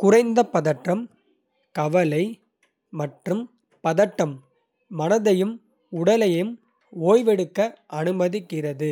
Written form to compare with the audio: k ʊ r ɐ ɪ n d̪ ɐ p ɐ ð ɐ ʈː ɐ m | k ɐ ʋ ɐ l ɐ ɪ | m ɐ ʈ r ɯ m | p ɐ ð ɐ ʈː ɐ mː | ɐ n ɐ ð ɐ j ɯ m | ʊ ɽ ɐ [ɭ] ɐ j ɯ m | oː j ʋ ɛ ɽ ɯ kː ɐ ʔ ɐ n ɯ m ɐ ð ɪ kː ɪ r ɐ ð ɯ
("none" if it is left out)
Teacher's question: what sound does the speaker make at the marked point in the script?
l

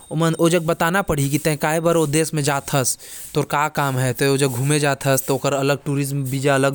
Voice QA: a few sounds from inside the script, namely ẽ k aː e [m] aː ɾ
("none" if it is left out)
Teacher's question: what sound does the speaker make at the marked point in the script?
b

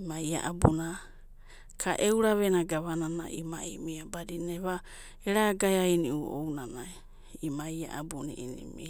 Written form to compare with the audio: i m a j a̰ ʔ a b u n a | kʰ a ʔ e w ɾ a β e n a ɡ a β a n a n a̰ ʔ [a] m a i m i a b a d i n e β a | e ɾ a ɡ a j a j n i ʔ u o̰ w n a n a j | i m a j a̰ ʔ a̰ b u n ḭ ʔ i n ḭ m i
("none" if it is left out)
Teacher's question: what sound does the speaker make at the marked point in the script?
i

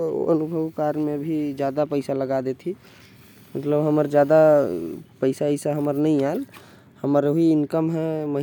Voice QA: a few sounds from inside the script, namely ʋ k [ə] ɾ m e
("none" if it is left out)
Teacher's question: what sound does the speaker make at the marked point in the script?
a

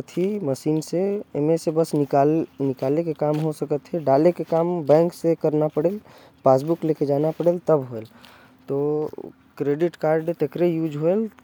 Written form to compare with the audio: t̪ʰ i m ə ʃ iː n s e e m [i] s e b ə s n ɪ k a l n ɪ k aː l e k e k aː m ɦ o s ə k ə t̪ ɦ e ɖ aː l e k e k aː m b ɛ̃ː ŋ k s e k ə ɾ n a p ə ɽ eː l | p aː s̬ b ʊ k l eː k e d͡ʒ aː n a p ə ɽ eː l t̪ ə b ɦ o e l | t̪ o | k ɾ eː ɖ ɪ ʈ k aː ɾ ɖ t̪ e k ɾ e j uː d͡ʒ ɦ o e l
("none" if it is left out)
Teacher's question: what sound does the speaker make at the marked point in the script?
e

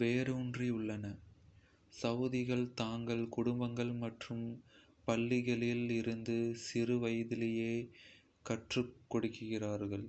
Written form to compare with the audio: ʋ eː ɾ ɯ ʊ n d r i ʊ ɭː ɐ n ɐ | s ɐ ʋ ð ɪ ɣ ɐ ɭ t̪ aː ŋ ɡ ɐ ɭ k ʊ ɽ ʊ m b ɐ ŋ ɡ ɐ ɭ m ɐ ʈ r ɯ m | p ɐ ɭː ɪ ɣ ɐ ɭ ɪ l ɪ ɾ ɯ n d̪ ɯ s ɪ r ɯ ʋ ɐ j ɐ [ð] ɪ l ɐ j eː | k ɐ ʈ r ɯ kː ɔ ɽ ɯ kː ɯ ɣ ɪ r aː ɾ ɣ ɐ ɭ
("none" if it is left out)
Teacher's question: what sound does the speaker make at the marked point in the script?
ð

